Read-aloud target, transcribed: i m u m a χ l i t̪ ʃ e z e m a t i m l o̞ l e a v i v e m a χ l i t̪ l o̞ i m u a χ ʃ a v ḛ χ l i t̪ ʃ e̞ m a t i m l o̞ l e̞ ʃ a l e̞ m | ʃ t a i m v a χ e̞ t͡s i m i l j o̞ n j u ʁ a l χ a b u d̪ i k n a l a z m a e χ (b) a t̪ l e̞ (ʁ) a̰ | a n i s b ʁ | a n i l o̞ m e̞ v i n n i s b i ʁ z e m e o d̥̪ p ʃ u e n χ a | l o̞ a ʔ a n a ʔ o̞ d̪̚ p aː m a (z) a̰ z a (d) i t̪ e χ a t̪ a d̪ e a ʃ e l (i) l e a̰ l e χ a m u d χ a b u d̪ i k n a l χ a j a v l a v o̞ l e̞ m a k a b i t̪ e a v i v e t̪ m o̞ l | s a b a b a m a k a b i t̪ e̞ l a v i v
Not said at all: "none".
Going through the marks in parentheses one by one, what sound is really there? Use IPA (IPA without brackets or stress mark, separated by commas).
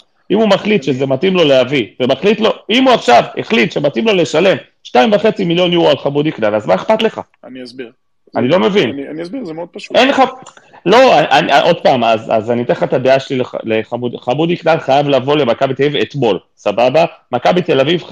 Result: p, χ, z, n, i